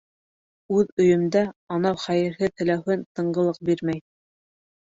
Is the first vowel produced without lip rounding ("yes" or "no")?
no